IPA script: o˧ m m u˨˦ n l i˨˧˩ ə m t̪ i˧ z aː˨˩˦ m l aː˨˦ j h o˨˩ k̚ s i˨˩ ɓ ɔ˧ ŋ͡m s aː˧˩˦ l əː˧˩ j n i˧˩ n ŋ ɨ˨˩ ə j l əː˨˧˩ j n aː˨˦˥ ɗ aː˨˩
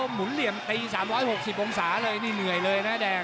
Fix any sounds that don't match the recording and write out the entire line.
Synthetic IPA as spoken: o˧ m m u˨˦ n l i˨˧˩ ə m t̪ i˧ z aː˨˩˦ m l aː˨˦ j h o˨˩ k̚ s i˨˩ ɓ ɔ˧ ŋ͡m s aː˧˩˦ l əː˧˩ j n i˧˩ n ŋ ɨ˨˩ ə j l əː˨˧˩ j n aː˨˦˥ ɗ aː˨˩